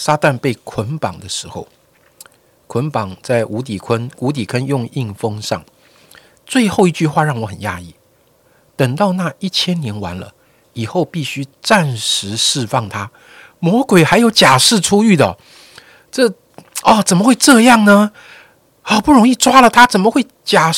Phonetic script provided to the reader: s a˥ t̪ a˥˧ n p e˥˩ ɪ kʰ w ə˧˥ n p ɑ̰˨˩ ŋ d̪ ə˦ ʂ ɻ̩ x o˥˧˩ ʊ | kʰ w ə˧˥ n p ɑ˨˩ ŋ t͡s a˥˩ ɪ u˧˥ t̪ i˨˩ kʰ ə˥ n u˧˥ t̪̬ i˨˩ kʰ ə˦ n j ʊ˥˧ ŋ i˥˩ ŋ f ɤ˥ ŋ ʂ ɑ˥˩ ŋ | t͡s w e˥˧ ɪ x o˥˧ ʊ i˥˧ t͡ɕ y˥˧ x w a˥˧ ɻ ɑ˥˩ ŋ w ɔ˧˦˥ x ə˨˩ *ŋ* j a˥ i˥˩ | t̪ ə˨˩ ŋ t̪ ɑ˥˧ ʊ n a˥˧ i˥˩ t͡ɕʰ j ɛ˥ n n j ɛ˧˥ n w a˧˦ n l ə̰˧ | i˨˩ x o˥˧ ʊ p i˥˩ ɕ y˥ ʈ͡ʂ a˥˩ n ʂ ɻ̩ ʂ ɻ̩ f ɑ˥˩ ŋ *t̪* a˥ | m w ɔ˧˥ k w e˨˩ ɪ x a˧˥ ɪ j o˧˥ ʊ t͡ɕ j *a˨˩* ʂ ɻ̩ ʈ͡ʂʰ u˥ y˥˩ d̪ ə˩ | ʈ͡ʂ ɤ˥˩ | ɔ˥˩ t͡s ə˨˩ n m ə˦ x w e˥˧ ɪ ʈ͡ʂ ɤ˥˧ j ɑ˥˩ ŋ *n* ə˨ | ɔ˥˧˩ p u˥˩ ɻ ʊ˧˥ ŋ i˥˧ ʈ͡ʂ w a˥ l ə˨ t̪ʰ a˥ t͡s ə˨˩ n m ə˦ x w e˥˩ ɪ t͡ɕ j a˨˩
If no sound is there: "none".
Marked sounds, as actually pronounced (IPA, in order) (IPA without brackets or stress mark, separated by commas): n, t̪ʰ, a˨˩, n